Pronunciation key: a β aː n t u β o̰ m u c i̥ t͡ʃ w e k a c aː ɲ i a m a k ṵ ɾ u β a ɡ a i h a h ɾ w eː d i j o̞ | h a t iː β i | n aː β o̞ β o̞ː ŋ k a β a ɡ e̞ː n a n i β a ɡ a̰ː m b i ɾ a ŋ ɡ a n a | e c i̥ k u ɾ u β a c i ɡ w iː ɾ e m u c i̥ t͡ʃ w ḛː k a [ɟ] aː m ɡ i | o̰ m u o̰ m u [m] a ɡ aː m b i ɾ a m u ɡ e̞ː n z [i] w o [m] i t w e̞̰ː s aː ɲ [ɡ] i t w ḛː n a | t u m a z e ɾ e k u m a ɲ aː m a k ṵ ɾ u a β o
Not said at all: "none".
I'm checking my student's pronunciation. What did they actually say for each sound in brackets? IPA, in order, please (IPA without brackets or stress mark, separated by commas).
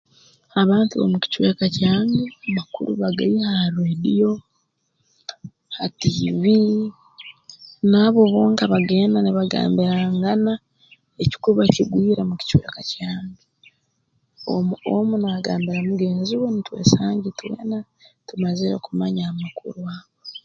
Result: c, n, i, n, ɟ